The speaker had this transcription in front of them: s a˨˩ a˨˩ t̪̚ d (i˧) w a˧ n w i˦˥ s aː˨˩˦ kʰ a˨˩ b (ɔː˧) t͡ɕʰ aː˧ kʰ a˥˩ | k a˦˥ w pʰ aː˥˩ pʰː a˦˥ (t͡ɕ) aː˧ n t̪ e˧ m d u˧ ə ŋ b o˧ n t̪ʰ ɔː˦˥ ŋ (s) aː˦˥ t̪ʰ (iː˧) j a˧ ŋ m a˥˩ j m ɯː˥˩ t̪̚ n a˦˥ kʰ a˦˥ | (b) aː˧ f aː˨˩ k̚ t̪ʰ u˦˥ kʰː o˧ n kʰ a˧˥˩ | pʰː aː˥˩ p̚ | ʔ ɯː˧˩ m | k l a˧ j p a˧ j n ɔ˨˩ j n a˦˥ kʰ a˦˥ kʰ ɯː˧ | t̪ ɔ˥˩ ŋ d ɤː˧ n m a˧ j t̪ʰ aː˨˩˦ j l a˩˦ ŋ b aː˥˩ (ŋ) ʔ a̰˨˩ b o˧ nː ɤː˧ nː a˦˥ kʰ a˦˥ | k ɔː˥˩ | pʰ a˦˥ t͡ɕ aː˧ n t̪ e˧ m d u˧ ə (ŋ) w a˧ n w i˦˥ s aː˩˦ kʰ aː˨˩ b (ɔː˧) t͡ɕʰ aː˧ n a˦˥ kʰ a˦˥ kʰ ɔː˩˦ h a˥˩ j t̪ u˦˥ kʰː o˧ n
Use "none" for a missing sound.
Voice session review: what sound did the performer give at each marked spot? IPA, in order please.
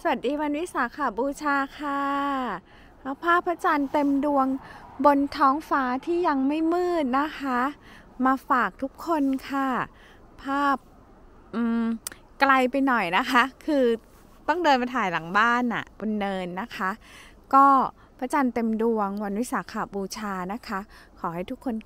iː˧, uː˧, t͡ɕ, f, iː˥˩, m, n, ŋ, uː˧

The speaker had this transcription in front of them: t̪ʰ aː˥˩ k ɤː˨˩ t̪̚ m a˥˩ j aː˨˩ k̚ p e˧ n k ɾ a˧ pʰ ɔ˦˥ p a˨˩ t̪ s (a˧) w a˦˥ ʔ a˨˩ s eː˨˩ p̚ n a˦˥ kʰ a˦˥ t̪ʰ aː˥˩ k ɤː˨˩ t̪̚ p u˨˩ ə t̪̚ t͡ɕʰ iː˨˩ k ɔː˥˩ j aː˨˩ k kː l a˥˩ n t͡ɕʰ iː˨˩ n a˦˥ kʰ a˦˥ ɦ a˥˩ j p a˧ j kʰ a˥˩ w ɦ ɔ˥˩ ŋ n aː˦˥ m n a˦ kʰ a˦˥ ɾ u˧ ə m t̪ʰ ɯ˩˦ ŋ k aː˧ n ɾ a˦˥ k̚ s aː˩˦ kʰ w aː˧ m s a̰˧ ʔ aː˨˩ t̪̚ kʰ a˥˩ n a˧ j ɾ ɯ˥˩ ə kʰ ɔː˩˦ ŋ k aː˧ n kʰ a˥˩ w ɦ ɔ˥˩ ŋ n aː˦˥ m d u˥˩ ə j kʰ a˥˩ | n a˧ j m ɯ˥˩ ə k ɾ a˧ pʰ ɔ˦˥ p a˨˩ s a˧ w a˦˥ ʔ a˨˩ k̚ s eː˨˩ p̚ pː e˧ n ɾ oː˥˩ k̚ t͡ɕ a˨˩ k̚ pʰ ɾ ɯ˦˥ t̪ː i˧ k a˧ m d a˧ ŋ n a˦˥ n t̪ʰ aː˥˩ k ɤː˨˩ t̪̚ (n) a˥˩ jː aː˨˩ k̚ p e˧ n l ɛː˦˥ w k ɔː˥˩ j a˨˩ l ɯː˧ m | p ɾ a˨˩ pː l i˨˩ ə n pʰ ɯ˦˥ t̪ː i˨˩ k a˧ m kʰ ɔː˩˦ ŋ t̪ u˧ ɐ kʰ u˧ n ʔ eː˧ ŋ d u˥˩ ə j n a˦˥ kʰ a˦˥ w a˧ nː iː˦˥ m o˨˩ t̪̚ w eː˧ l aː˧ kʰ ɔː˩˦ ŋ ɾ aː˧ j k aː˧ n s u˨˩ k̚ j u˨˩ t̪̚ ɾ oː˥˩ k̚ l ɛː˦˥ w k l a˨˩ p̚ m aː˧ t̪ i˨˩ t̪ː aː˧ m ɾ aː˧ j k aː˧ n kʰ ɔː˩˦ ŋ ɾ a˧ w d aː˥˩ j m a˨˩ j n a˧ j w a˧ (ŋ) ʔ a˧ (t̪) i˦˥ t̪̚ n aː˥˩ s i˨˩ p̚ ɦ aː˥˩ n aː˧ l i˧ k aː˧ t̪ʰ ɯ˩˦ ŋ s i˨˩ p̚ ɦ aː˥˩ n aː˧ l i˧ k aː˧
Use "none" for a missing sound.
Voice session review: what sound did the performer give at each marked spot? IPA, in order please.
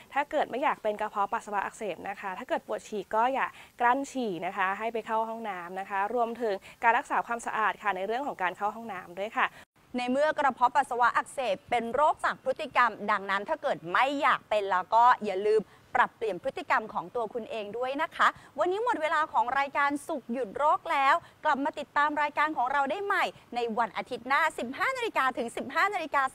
a˧, m, n, t̪ʰ

